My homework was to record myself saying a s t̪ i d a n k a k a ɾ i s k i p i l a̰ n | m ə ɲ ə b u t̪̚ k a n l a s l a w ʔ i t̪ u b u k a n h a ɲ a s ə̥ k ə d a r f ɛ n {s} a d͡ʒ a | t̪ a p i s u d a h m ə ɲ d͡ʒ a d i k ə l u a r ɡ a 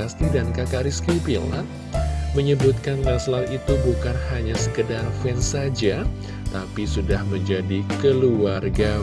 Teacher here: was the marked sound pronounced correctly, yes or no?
yes